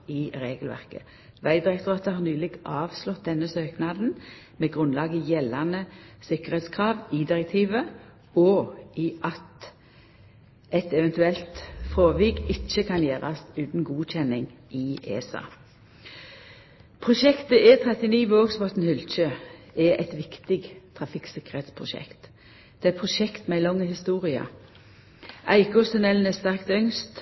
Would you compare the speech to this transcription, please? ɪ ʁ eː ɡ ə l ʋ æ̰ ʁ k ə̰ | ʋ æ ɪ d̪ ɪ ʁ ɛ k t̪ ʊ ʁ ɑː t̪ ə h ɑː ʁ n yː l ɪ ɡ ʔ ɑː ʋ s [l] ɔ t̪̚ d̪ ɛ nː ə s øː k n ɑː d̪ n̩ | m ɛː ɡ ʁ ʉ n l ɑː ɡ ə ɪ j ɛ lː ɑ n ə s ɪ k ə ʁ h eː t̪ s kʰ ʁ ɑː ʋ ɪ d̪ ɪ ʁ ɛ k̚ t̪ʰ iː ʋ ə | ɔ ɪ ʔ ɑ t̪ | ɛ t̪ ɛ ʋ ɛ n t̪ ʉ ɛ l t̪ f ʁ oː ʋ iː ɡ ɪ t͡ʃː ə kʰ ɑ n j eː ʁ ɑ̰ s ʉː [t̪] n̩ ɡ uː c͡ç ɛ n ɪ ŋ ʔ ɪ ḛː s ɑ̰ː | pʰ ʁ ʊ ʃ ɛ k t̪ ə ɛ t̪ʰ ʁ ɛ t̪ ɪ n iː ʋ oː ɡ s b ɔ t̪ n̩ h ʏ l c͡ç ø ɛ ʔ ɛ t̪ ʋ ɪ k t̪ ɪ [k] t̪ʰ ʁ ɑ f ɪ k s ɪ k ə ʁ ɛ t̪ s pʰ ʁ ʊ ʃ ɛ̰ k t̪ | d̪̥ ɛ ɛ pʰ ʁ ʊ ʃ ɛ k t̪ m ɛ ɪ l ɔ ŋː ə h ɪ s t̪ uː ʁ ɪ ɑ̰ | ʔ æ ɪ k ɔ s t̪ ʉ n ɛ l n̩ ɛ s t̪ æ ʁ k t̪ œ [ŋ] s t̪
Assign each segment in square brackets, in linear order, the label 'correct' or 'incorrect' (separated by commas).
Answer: correct, correct, incorrect, correct